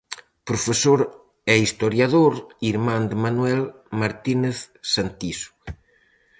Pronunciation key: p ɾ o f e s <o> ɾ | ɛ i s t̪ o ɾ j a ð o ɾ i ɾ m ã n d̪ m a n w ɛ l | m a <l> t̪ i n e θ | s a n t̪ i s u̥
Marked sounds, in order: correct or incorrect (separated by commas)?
correct, incorrect